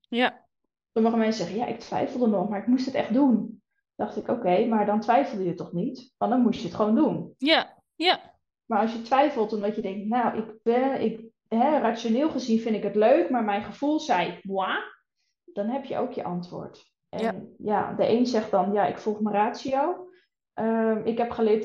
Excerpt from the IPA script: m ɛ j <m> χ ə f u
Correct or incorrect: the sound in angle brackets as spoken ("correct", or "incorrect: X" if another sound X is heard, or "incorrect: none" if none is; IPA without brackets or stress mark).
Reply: incorrect: n